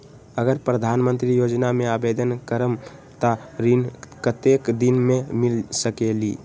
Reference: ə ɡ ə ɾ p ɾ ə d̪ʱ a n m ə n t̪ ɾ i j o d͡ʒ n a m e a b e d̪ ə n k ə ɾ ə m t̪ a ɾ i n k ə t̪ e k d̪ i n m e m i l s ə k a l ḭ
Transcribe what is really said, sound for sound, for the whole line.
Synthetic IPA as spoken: ə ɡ ə ɾ p ɾ ə d̪ʱ a n m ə n t̪ ɾ i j o d͡ʒ n a m e a b e d̪ ə n k ə ɾ ə m t̪ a ɾ i n k ə t̪ e k d̪ i n m e m i l s ə k e l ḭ